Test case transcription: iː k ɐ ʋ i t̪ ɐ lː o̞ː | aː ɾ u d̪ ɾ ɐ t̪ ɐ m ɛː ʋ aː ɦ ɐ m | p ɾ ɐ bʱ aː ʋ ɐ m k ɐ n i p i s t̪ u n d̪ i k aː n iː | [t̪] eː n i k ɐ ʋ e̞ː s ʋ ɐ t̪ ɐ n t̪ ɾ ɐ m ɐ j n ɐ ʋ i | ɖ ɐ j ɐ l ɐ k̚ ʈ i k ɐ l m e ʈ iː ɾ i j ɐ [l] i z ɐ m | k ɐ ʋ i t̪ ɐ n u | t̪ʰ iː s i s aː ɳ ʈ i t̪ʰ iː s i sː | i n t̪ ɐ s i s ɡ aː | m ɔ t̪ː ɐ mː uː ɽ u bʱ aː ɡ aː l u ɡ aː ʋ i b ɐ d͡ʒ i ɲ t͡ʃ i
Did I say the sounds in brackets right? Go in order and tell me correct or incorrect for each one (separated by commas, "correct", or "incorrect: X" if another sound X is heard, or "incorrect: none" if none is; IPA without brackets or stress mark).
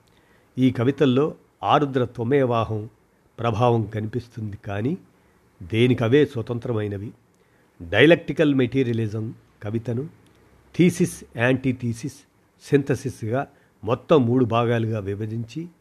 incorrect: d̪, correct